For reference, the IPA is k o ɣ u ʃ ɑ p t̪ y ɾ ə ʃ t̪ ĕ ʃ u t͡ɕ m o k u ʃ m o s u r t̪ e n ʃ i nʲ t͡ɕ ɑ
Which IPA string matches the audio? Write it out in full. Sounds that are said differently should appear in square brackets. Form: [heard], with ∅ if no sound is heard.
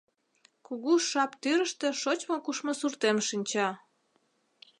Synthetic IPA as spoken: k [u] ɣ u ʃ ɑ p t̪ y ɾ ə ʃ t̪ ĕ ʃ [o] t͡ɕ m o k u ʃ m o s u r t̪ e [m] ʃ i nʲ t͡ɕ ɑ